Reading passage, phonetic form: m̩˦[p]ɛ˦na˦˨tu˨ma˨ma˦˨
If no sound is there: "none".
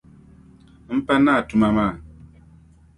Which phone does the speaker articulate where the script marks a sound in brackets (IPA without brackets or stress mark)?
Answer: p